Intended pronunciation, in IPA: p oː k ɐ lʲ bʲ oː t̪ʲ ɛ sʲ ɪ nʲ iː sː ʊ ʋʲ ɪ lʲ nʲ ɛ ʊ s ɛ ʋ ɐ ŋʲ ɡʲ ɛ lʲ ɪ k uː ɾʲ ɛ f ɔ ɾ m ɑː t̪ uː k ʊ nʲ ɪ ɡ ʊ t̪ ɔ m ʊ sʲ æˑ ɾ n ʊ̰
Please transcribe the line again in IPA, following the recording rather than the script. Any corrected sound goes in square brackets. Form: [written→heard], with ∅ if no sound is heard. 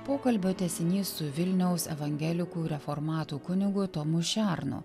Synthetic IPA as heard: p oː k ɐ lʲ bʲ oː t̪ʲ ɛ sʲ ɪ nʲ iː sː ʊ ʋʲ ɪ lʲ nʲ ɛ ʊ s ɛ ʋ ɐ ŋʲ ɡʲ ɛ lʲ ɪ k uː ɾʲ ɛ f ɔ ɾ m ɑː t̪ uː k ʊ nʲ ɪ ɡ ʊ t̪ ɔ m ʊ [sʲ→ʃʲ] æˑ ɾ n ʊ̰